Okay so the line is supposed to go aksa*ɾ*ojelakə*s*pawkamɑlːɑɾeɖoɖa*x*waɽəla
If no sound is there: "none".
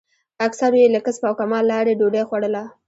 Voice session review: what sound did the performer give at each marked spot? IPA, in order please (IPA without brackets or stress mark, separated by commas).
ɾ, s, x